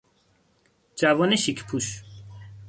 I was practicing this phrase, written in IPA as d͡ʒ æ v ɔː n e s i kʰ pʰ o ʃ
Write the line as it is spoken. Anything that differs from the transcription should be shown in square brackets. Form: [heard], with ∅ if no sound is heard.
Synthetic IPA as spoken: d͡ʒ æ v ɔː n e [ʃ] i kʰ pʰ [u] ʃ